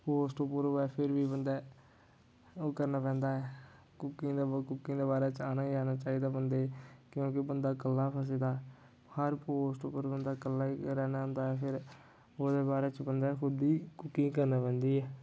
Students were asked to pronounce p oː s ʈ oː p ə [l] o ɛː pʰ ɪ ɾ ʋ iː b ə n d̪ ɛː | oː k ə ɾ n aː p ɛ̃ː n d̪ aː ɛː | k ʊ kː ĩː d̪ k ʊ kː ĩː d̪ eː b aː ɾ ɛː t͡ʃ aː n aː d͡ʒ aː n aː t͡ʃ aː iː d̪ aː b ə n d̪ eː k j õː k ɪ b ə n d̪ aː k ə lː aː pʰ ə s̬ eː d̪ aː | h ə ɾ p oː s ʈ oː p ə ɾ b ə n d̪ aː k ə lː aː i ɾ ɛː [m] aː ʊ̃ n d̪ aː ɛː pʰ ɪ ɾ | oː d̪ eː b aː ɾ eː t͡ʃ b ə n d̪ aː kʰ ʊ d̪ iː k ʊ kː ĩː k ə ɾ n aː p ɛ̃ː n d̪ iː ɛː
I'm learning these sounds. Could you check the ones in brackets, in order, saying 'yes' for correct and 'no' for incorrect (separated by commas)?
no, no